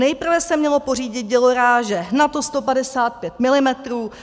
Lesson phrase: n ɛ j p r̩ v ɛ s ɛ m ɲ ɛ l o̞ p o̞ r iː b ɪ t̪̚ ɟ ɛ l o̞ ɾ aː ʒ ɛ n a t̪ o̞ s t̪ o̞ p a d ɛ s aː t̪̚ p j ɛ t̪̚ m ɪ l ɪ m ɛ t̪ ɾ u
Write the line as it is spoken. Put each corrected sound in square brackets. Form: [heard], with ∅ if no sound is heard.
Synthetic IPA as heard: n ɛ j p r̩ v ɛ s ɛ m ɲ ɛ l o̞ p o̞ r iː [ɟ] ɪ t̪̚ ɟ ɛ l o̞ ɾ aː ʒ ɛ n a t̪ o̞ s t̪ o̞ p a d ɛ s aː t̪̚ p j ɛ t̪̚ m ɪ l ɪ m ɛ t̪ ɾ [uː]